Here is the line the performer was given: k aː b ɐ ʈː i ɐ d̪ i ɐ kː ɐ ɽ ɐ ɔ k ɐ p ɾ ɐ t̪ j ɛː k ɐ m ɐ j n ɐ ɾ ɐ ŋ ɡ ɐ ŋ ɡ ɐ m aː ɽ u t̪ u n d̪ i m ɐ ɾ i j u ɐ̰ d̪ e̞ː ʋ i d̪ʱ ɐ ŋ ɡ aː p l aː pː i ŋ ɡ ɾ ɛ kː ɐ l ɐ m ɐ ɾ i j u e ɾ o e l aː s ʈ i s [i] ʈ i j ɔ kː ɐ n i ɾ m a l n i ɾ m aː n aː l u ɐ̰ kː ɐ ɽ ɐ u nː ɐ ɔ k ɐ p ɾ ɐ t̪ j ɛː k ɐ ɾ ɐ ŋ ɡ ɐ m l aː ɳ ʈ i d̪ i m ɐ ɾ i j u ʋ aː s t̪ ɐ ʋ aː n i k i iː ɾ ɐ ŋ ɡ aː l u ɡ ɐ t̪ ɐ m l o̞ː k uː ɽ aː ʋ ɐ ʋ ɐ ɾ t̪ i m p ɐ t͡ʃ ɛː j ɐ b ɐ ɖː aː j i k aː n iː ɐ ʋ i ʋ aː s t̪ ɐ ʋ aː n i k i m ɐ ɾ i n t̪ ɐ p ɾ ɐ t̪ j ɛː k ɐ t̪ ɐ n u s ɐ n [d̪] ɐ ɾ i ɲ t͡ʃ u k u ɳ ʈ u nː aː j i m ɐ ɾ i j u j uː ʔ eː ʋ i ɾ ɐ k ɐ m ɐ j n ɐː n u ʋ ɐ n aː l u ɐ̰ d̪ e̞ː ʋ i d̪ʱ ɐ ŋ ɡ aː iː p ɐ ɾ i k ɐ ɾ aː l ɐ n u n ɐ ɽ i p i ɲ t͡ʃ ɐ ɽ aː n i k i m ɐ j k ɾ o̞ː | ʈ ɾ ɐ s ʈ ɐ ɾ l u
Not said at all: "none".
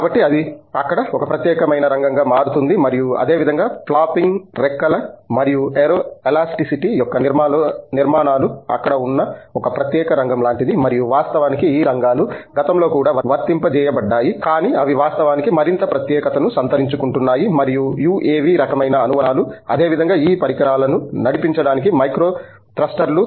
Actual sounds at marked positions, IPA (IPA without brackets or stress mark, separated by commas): i, t̪